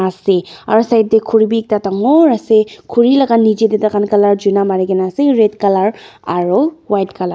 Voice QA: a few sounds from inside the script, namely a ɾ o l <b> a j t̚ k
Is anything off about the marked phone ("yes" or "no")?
yes